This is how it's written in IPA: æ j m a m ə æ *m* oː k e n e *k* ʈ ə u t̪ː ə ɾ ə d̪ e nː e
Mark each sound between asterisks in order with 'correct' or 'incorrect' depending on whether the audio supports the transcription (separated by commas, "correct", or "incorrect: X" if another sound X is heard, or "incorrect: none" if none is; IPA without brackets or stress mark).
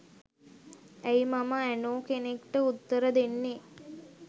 incorrect: n, correct